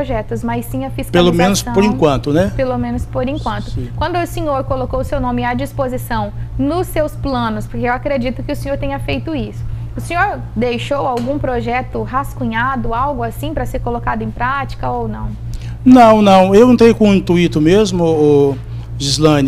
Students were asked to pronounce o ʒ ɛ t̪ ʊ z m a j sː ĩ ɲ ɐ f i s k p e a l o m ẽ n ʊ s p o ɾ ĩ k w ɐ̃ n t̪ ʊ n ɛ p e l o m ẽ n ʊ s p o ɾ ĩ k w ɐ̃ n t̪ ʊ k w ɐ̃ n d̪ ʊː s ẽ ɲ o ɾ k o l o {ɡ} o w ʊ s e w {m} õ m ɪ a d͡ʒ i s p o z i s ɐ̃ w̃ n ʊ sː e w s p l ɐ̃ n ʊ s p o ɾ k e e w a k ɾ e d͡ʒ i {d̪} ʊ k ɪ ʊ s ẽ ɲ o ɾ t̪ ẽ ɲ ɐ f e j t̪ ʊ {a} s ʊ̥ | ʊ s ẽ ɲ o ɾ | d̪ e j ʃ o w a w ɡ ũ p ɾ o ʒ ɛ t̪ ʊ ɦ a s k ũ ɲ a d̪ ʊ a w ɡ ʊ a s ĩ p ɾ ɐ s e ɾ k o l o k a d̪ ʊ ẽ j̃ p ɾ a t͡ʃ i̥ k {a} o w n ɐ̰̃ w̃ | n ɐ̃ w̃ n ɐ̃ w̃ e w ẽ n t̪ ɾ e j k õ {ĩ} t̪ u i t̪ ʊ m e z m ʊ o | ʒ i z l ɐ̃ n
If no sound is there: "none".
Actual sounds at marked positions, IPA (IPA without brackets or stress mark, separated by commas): k, n, t̪, i, ɐ, ĩ